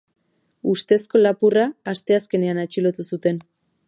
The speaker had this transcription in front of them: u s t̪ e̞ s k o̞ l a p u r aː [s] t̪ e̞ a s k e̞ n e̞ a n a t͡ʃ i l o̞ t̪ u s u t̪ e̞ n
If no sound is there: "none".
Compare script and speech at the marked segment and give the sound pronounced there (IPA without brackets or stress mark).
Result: s